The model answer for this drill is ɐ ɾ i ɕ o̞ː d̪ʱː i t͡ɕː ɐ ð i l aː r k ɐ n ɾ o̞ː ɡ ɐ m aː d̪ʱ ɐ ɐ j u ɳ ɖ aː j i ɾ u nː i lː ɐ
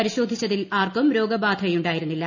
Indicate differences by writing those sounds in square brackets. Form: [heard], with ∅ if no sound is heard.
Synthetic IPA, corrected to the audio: ɐ ɾ i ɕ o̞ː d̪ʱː i t͡ɕː ɐ ð i l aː r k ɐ [m] ɾ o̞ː ɡ ɐ [b] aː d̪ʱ ɐ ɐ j u ɳ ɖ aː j i ɾ u nː i lː ɐ

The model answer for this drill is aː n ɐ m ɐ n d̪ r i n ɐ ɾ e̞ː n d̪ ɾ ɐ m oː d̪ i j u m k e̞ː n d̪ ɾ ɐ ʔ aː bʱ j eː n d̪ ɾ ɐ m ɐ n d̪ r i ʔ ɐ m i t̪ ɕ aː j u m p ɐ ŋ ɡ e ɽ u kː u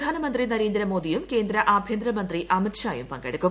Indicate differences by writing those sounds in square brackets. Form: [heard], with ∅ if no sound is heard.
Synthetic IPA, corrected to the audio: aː n ɐ m ɐ n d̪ r i n ɐ ɾ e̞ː n d̪ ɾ ɐ m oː d̪ i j u m k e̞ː n d̪ ɾ ɐ ʔ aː bʱ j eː n d̪ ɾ ɐ m ɐ n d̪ r i ʔ ɐ m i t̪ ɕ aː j u m p ɐ ŋ ɡ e ɽ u kː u

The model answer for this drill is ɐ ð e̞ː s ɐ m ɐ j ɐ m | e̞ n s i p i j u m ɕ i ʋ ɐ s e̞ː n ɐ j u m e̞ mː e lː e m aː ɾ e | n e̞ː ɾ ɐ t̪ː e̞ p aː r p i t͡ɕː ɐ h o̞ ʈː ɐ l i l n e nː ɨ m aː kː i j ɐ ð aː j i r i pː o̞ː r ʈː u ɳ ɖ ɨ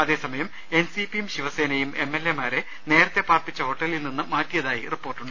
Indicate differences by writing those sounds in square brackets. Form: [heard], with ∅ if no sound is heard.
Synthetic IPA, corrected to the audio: ɐ ð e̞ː s ɐ m ɐ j ɐ m | e̞ n s i p i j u m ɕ i ʋ ɐ s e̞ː n ɐ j u m e̞ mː e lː e m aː ɾ e | n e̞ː ɾ ɐ t̪ː e̞ p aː r p i t͡ɕː ɐ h o̞ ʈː ɐ l i l n [i] nː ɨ m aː [tː] i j ɐ ð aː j i r i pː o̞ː r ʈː u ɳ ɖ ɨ

